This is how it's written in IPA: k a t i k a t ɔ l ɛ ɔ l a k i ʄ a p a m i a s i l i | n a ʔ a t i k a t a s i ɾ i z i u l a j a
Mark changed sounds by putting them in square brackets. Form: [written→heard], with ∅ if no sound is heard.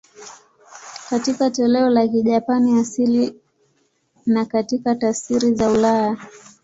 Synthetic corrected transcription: k a t i k a t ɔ l ɛ ɔ l a k i ʄ a p a [m→n] i a s i l i | n a [ʔ→k] a t i k a t a s i ɾ i z [i→a] u l a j a

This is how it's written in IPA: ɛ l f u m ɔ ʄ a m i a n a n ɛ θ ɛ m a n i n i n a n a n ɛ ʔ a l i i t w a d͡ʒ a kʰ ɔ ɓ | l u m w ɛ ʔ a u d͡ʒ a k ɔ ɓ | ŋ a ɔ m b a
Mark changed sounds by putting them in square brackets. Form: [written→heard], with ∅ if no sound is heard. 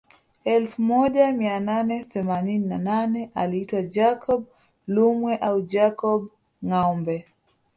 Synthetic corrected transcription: ɛ l f u m ɔ ʄ a m i a n a n ɛ θ ɛ m a n i n i n a n a n ɛ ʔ a l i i t w a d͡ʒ a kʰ ɔ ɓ | l u m w ɛ ʔ a u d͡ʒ a k ɔ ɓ | ŋ a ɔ m b [a→ɛ]

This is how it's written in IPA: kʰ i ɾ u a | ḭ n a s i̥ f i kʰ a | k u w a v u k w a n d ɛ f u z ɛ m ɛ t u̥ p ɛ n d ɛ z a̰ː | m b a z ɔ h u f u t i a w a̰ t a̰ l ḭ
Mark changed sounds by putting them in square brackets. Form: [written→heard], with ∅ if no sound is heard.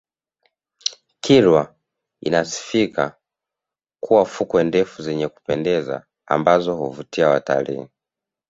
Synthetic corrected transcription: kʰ i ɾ [u→w] a | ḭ n a s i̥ f i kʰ a | k u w a [v→f] u k w [a→ɛ] n d ɛ f u z ɛ [m→ɲ] ɛ [t→k] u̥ p ɛ n d ɛ z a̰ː | m b a z ɔ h u [f→v] u t i a w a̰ t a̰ l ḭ

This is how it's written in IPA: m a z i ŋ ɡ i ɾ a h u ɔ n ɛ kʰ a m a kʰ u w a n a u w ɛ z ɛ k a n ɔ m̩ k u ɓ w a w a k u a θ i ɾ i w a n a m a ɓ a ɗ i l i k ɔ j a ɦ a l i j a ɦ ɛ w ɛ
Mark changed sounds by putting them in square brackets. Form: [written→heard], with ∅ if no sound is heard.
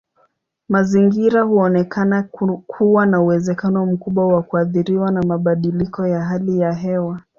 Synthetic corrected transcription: m a z i ŋ ɡ i ɾ a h u ɔ n ɛ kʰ a [m→n] a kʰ u w a n a u w ɛ z ɛ k a n ɔ m̩ k u ɓ w a w a k u a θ i ɾ i w a n a m a ɓ a ɗ i l i k ɔ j a ɦ a l i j a ɦ ɛ w [ɛ→a]

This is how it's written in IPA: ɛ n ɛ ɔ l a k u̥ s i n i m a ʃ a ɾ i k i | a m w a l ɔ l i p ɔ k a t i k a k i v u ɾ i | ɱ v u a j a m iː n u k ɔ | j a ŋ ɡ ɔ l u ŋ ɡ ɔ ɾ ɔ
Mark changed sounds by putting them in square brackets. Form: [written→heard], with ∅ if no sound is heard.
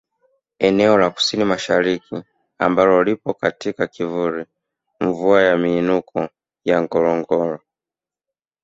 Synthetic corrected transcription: ɛ n ɛ ɔ l a k u̥ s i n i m a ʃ a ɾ i k i | a m [w→b] a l ɔ l i p ɔ k a t i k a k i v u ɾ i | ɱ v u a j a m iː n u k ɔ | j a ŋ ɡ ɔ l [u→ɔ] ŋ ɡ ɔ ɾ ɔ

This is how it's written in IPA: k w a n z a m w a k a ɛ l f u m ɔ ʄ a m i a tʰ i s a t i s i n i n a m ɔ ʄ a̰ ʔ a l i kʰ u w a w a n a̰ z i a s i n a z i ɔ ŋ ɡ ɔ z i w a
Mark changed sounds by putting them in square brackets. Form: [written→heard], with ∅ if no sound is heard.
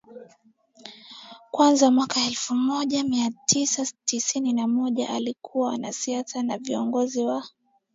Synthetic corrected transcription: k w a n z a m w a k a ɛ l f u m ɔ ʄ a m i a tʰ i s a t i s i n i n a m ɔ ʄ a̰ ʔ a l i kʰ u w a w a n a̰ [z→s] i a s [i→a] n a [z→v] i ɔ ŋ ɡ ɔ z i w a

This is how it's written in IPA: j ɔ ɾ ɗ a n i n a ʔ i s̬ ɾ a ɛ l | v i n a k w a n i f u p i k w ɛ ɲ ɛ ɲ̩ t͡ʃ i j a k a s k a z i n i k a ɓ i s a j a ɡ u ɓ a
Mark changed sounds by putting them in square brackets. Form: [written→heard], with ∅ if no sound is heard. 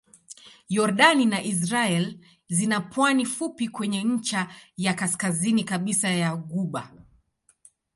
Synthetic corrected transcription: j ɔ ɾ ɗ a n i n a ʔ i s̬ ɾ a ɛ l | [v→z] i n a [k→p] w a n i f u p i k w ɛ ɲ ɛ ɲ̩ t͡ʃ [i→a] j a k a s k a z i n i k a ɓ i s a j a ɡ u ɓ a

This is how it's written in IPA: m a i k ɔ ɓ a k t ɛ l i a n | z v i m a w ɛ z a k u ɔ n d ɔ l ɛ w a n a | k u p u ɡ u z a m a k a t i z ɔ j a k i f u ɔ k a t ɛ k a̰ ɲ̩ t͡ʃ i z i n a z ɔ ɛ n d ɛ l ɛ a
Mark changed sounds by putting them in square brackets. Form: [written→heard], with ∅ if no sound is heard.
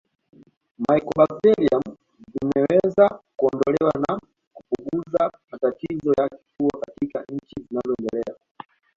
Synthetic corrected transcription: m a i k ɔ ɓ a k t ɛ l i a [n→m] | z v i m [a→ɛ] w ɛ z a k u ɔ n d ɔ l ɛ w a n a | k u p u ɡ u z a m a [k→t] a t i z ɔ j a k i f u ɔ k a t [ɛ→i] k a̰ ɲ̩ t͡ʃ i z i n a z ɔ ɛ n d ɛ l ɛ a

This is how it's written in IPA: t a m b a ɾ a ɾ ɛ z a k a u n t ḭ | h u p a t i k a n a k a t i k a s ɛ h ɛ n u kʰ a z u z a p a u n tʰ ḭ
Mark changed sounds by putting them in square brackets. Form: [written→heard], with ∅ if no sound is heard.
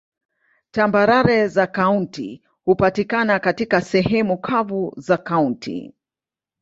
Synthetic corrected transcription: t a m b a ɾ a ɾ ɛ z a k a u n t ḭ | h u p a t i k a n a k a t i k a s ɛ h ɛ [n→m] u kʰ a [z→v] u z a [p→k] a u n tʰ ḭ

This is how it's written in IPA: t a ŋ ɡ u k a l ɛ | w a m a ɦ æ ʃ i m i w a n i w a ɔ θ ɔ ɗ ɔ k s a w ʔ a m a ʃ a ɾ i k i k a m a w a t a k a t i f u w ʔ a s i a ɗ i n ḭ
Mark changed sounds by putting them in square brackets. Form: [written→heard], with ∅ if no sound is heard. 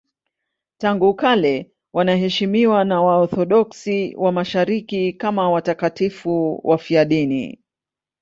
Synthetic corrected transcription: t a ŋ ɡ u k a l ɛ | w a [m→n] a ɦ [æ→ɛ] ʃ i m i w a n [i→a] w a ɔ θ ɔ ɗ ɔ k s [a→i] w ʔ a m a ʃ a ɾ i k i k a m a w a t a k a t i f u w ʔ a [s→f] i a ɗ i n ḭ

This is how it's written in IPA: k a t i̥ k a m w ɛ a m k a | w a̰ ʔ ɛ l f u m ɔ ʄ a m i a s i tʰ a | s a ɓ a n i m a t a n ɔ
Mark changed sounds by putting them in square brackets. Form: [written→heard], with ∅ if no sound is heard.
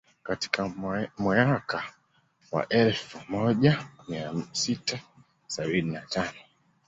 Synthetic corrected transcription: k a t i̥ k a m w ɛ a [m→∅] k a | w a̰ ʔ ɛ l f u m ɔ ʄ a m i a s i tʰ a | s a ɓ [a→i] n i [m→n] a t a n ɔ

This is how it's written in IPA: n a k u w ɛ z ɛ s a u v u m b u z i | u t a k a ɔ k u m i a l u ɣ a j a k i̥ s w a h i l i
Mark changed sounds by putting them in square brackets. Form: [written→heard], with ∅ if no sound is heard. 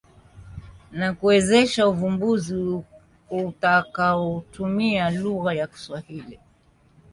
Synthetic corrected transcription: n a k u w ɛ z ɛ [s→ʃ] a u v u m b u z i | u t a k a ɔ [k→t] u m i a l u ɣ a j a k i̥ s w a h i l i

